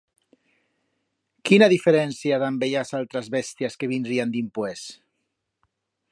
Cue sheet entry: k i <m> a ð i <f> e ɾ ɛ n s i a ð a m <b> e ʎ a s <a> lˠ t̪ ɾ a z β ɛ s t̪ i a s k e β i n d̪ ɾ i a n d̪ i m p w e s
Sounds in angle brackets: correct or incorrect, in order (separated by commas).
incorrect, correct, correct, correct